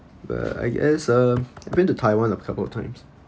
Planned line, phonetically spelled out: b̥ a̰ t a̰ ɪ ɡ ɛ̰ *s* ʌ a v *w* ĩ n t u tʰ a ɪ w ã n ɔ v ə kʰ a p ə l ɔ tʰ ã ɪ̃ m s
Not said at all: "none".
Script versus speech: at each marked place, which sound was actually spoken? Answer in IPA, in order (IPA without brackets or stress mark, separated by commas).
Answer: s, b